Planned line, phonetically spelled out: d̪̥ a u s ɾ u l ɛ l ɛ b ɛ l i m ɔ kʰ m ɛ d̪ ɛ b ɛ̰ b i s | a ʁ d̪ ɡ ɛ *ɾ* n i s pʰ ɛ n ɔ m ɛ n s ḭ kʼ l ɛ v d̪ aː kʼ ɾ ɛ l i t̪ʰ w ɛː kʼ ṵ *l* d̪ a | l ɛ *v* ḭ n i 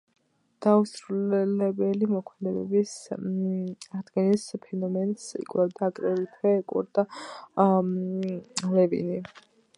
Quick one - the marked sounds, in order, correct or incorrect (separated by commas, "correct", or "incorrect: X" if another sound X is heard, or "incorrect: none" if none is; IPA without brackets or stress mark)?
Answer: incorrect: none, incorrect: ɾ, correct